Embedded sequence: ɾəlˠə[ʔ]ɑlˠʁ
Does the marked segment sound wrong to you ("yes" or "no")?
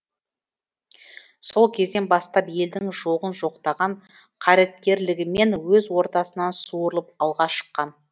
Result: yes